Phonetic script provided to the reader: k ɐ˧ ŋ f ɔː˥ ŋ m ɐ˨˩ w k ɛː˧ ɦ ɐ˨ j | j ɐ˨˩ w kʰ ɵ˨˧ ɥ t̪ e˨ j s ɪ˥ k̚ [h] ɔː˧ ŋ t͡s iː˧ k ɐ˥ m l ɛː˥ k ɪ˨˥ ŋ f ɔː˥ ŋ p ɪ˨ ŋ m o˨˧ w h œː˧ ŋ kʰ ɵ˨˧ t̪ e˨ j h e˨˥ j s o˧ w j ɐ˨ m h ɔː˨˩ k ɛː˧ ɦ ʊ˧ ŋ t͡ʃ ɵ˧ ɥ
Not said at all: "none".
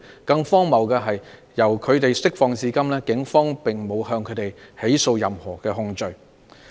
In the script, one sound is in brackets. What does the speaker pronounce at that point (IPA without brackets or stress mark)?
f